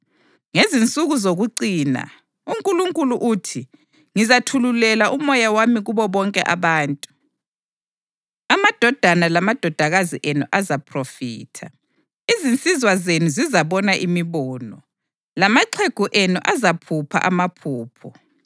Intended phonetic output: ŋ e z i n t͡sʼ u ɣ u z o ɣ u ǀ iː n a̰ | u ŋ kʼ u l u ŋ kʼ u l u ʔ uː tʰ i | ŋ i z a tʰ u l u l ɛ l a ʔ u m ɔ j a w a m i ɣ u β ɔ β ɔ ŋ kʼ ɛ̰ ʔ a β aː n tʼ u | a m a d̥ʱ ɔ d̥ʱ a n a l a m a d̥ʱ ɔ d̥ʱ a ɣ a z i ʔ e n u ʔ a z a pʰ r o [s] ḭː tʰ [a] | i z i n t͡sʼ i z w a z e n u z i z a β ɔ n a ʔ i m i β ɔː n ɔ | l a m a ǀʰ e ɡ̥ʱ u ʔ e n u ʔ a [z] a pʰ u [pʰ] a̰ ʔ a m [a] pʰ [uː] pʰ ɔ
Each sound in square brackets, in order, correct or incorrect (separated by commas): incorrect, correct, correct, correct, correct, correct